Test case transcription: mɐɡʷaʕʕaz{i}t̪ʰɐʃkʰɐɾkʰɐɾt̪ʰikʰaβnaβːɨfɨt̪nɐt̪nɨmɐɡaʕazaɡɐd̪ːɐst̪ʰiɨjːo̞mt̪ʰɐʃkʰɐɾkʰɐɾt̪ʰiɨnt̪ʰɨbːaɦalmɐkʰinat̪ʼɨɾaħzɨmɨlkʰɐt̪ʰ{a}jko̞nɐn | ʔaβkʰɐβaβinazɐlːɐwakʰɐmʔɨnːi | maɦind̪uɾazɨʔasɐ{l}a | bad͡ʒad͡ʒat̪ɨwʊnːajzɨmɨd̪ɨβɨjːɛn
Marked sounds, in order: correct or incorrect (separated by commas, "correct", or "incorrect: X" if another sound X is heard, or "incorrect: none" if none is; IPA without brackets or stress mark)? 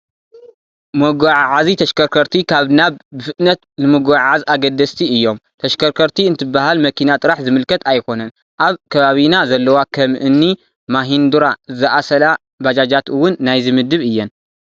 correct, correct, correct